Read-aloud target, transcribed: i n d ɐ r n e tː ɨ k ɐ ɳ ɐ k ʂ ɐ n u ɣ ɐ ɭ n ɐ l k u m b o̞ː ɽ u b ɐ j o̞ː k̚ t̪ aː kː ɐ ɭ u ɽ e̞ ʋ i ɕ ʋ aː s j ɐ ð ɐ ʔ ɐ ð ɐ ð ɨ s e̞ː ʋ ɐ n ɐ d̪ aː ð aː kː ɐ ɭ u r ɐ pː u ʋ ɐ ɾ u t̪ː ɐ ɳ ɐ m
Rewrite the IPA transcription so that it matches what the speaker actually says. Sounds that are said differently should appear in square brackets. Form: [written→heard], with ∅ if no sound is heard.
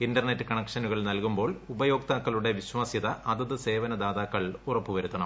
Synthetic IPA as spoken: i n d ɐ r n e tː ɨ k ɐ ɳ ɐ k ʂ ɐ n u ɣ ɐ ɭ n ɐ l k u m b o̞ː [ɽ→ɭ] u b ɐ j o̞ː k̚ t̪ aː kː ɐ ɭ u ɽ e̞ ʋ i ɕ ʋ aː s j ɐ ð ɐ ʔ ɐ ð ɐ ð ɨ s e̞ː ʋ ɐ n ɐ d̪ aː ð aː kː ɐ ɭ u r ɐ pː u ʋ ɐ ɾ u t̪ː ɐ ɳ ɐ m